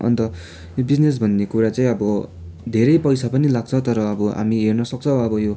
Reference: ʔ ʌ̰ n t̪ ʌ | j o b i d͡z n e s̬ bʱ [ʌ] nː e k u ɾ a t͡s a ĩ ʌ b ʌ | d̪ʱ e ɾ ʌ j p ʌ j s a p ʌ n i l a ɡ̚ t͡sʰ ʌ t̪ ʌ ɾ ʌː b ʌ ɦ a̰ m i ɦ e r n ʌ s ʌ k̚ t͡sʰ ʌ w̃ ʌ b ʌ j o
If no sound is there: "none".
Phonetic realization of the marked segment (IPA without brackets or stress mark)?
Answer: ʌ